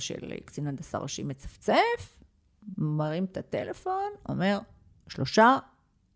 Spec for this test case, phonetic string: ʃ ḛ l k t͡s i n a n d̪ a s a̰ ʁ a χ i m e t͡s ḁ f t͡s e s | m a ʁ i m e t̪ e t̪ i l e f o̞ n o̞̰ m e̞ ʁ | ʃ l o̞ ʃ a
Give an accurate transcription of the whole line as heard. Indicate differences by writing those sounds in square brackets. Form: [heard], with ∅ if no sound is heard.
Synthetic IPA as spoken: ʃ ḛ l k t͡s i n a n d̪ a s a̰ ʁ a [ʃ] i m e t͡s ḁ f t͡s e [f] | m a ʁ i m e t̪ [a] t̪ [e] l e f o̞ n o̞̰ m e̞ ʁ | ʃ l o̞ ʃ a